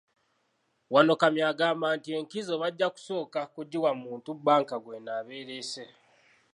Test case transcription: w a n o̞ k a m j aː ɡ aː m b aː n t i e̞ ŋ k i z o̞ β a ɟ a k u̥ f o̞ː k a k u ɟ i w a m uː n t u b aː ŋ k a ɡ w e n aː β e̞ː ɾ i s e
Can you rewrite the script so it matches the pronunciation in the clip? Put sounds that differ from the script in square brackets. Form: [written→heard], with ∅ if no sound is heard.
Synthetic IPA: w a n o̞ k a m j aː ɡ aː m b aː n t i e̞ ŋ k i z o̞ β a [ɟ→ɟː] a k u̥ [f→s] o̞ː k a k u ɟ i w a m uː n t u b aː ŋ k a ɡ w e n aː β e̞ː ɾ [i→e] s e